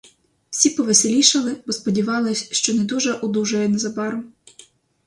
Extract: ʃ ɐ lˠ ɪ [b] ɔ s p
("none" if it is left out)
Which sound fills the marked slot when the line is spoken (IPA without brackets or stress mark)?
b